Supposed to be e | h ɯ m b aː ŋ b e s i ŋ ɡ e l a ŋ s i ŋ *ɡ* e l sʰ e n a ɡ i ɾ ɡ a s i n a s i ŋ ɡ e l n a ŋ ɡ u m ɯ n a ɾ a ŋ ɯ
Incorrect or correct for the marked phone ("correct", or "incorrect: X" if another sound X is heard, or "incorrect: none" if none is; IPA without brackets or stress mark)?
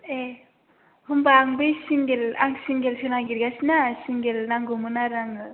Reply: correct